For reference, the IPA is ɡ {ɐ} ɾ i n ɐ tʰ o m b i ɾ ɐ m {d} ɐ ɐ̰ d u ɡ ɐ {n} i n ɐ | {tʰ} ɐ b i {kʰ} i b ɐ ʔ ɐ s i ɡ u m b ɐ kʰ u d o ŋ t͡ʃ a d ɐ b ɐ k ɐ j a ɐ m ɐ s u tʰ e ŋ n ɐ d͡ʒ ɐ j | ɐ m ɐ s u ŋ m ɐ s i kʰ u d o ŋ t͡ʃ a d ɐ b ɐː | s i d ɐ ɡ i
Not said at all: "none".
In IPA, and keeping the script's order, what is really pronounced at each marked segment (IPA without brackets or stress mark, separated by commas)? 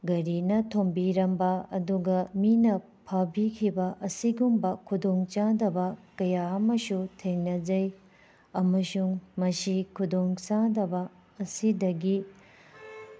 ɐ, b, m, pʰ, kʰ